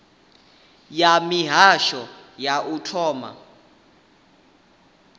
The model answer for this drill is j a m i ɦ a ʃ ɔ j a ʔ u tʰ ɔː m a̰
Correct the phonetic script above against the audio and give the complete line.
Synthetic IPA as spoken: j a m i ɦ a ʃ ɔ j a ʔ u tʰ ɔː m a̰